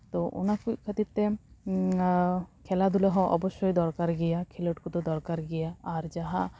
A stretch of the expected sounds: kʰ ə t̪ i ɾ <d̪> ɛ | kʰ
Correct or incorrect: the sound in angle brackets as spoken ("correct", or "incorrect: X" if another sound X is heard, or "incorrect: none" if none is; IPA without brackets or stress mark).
incorrect: t̪